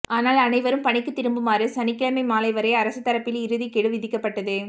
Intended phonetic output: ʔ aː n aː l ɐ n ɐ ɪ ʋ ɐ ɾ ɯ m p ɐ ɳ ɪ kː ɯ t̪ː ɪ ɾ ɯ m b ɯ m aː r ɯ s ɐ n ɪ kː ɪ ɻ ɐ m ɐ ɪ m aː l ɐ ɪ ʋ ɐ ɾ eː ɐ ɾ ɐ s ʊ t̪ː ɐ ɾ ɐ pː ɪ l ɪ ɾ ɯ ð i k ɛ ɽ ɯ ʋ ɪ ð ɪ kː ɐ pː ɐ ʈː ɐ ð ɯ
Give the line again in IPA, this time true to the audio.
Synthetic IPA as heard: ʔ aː n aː l ɐ n ɐ ɪ ʋ ɐ ɾ ɯ m p ɐ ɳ ɪ kː ɯ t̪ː ɪ ɾ ɯ m b ɯ m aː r ɯ s ɐ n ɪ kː ɪ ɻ ɐ m ɐ ɪ m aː l ɐ ɪ ʋ ɐ ɾ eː ɐ ɾ ɐ s ɯ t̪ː ɐ ɾ ɐ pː ɪ l ɪ ɾ ɯ ð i k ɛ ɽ ɯ ʋ ɪ ð ɪ kː ɐ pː ɐ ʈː ɐ ð ɯ

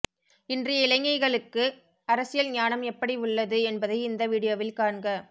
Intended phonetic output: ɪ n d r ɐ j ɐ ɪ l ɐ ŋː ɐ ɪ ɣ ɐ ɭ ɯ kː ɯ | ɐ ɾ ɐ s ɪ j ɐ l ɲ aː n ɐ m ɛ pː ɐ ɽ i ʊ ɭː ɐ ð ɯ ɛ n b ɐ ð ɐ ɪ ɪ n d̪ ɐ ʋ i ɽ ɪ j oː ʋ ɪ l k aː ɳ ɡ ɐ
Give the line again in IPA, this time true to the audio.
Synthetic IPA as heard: ɪ n d r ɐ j ɐ ɪ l ɐ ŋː ɐ ɪ ɣ ɐ ɭ ɯ kː ɯ | ɐ ɾ ɐ s ɪ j ɐ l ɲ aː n ɐ m ɛ pː ɐ ɽ i ʊ ɭː ɐ ð ɯ ɛ n b ɐ ð ɐ ɪ ɪ n d̪ ɐ ʋ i ɽ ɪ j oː ʋ ɪ l k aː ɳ ɡ ɐ

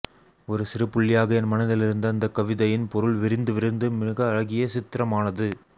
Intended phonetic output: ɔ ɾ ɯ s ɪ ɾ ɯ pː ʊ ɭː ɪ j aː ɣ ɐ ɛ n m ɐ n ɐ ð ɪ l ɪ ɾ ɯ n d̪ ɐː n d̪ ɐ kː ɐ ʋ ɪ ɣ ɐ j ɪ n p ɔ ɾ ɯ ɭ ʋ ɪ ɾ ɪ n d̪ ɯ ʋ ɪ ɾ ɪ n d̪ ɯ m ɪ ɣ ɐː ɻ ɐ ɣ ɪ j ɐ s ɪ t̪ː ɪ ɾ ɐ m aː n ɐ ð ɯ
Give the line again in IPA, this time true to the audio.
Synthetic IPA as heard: ɔ ɾ ɯ s ɪ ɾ ɯ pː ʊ ɭː ɪ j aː ɣ ɐ ɛ n m ɐ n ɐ ð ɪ l ɪ ɾ ɯ n d̪ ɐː n d̪ ɐ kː ɐ ʋ ɪ ð ɐ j ɪ n p ɔ ɾ ɯ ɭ ʋ ɪ ɾ ɪ n d̪ ɯ ʋ ɪ ɾ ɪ n d̪ ɯ m ɪ ɣ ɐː ɻ ɐ ɣ ɪ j ɐ s ɪ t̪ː ɪ ɾ ɐ m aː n ɐ ð ɯ

